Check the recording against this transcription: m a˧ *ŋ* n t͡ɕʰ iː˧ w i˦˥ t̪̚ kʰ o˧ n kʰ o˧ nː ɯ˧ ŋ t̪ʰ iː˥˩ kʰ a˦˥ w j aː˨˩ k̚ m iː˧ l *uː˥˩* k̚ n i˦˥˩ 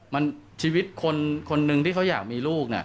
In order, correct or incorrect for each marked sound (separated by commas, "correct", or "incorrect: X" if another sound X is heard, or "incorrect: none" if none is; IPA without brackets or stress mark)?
incorrect: none, correct